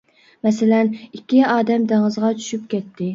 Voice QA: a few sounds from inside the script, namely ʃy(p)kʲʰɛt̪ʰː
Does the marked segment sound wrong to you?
no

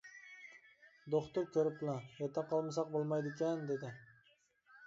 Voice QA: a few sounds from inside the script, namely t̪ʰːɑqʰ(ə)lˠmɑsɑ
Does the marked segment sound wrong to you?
yes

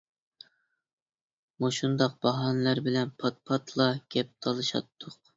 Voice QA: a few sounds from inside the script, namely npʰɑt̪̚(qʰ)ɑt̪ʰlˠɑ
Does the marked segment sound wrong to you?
yes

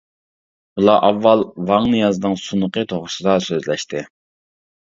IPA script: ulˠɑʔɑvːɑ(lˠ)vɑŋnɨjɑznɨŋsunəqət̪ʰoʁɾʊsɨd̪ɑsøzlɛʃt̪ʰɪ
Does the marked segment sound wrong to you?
no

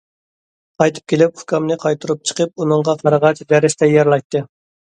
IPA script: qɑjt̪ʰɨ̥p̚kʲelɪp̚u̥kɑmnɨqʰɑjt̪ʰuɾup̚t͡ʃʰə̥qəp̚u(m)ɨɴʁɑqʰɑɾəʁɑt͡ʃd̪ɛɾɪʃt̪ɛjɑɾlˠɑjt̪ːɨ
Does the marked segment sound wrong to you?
yes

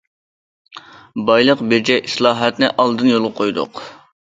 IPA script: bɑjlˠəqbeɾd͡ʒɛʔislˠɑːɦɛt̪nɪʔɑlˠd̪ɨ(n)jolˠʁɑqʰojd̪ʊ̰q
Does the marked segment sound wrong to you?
no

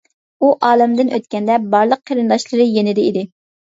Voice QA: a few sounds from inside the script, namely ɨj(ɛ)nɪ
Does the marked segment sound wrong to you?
yes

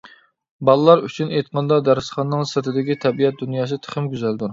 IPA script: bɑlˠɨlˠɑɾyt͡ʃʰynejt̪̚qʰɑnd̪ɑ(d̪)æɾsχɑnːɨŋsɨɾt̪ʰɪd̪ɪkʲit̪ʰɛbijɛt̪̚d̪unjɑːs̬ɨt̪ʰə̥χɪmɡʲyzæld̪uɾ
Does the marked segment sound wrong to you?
no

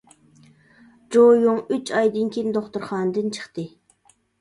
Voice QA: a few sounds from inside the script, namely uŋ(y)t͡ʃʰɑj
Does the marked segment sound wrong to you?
no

